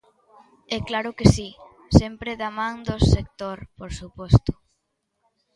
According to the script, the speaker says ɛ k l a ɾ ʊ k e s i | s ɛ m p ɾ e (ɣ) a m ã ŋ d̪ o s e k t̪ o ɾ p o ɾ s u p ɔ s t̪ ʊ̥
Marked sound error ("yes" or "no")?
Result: yes